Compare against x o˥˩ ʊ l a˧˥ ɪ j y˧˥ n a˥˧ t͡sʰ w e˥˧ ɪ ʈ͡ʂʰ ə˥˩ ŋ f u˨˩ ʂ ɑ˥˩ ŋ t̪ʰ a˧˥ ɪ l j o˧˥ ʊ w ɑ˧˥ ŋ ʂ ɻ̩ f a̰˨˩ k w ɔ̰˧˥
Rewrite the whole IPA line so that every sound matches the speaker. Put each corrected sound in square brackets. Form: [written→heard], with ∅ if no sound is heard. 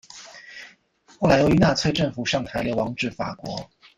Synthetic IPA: x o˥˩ ʊ l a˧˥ ɪ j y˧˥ n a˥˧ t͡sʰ w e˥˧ ɪ [ʈ͡ʂʰ→ʈ͡ʂ] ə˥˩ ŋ f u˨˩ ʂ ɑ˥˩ ŋ t̪ʰ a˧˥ ɪ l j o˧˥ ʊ w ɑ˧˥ ŋ [ʂ→ʈ͡ʂ] ɻ̩ f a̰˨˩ k w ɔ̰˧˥